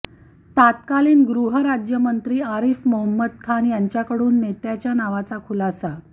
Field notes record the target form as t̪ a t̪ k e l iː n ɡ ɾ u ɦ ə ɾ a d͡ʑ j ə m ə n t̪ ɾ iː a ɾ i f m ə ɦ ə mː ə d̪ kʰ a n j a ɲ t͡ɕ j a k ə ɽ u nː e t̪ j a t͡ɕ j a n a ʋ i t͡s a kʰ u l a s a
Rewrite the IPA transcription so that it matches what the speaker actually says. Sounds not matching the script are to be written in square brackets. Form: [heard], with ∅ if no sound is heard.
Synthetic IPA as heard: t̪ a t̪ k [a] l iː n ɡ ɾ u ɦ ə ɾ a d͡ʑ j ə m ə n t̪ ɾ iː a ɾ i f m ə ɦ ə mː ə d̪ kʰ a n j a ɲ t͡ɕ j a k ə ɽ [uː] nː e t̪ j a t͡ɕ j a n a ʋ [a] t͡s a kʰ u l a s a